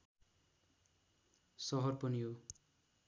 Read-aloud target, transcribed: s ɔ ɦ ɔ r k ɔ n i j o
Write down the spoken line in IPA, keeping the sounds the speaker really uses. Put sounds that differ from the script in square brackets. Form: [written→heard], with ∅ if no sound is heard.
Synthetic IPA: s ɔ ɦ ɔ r [k→p] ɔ n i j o